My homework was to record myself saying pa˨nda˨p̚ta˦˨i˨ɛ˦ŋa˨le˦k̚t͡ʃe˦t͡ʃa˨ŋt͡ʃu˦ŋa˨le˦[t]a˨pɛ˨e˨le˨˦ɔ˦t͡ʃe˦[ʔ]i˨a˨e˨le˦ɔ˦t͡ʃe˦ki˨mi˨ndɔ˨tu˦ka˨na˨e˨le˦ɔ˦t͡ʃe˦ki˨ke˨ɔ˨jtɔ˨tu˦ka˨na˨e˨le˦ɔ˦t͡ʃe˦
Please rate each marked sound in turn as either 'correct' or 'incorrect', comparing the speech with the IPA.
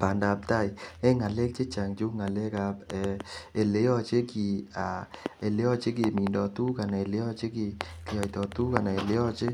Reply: incorrect: k, incorrect: k

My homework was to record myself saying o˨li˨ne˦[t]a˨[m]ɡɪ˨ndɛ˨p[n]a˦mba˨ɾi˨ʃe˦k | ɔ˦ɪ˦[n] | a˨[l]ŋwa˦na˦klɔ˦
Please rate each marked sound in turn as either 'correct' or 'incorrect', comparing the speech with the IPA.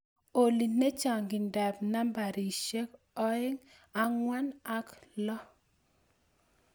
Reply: incorrect: t͡ʃ, incorrect: ŋ, correct, incorrect: ŋ, incorrect: none

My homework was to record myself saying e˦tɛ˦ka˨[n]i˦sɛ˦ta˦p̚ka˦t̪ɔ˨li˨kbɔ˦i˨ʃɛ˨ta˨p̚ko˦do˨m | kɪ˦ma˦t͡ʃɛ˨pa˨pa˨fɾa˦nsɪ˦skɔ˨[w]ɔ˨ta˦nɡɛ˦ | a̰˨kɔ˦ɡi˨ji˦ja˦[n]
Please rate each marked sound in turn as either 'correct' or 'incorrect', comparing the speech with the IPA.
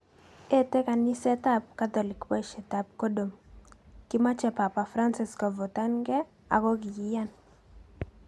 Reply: correct, incorrect: v, correct

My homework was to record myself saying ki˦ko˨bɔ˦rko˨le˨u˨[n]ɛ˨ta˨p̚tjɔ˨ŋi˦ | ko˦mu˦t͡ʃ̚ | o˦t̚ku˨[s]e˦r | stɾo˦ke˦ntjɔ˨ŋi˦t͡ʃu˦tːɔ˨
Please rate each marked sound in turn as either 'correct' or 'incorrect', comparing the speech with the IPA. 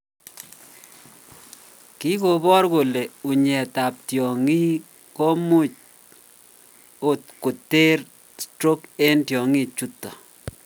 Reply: incorrect: ɲ, incorrect: t

